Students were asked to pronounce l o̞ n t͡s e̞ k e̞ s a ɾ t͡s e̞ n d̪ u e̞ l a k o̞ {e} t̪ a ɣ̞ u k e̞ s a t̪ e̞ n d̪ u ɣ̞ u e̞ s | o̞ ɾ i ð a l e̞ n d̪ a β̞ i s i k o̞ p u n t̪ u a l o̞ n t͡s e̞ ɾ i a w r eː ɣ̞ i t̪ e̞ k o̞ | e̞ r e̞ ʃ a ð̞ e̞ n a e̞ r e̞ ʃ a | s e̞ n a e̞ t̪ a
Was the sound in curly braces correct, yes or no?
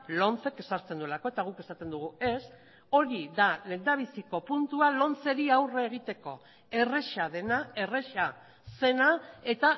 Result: yes